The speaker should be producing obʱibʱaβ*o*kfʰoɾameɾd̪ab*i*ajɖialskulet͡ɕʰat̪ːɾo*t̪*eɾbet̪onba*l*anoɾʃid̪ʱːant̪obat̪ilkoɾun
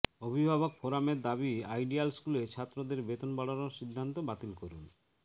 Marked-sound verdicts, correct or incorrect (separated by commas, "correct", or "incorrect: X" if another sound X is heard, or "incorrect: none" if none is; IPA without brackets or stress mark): correct, correct, incorrect: d̪, incorrect: ɽ